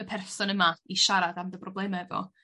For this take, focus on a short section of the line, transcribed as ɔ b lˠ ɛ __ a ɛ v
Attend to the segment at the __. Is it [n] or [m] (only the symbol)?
m